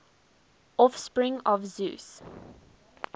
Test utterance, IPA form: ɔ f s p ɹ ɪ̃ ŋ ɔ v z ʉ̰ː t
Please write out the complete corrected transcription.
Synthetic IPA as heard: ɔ f s p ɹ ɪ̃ ŋ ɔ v z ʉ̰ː s